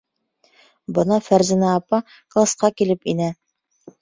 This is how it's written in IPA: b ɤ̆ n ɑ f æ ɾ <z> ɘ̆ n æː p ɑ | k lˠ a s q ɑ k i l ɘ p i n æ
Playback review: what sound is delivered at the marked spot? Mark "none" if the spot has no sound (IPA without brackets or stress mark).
z